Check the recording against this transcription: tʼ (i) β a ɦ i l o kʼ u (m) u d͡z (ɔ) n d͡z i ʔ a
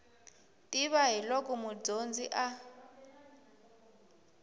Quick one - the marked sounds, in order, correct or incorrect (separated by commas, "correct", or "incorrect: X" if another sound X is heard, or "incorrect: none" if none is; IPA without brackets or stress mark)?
correct, correct, incorrect: o